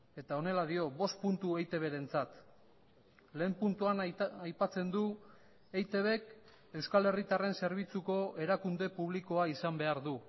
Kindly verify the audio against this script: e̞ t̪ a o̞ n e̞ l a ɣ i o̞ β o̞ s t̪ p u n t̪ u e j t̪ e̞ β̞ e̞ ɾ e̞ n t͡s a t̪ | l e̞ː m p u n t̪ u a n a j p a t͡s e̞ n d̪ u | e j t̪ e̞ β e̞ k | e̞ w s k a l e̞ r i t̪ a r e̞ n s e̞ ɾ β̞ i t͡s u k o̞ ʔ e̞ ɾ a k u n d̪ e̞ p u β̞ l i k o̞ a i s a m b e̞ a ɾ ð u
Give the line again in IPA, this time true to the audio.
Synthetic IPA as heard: e̞ t̪ a o̞ n e̞ l a ð i o̞ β o̞ s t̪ p u n t̪ u e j t̪ e̞ β̞ e̞ ɾ e̞ n t͡s a t̪ | l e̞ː m p u n t̪ u a n a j p a t͡s e̞ n d̪ u | e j t̪ e̞ β e̞ k | e̞ w s k a l e̞ r i t̪ a r e̞ n s e̞ ɾ β̞ i t͡s u k o̞ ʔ e̞ ɾ a k u n d̪ e̞ p u β̞ l i k o̞ a i s a m b e̞ a ɾ ð u